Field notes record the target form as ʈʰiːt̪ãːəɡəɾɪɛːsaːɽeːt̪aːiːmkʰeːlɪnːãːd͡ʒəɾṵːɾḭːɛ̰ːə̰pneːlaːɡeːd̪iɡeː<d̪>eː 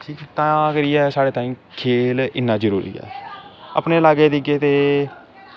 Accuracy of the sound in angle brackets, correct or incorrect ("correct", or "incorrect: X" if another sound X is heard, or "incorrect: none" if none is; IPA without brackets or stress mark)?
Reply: incorrect: t̪